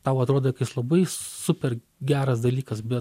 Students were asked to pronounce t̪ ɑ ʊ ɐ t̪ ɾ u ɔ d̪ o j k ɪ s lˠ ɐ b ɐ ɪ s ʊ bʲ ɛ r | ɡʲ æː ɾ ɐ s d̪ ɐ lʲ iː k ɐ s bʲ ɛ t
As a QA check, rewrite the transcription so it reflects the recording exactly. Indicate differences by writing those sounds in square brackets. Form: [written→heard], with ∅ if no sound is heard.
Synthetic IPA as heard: t̪ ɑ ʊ ɐ t̪ ɾ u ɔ d̪ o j k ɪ s lˠ ɐ b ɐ ɪ s ʊ [bʲ→pʲ] ɛ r | ɡʲ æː ɾ ɐ s d̪ ɐ lʲ iː k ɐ s bʲ ɛ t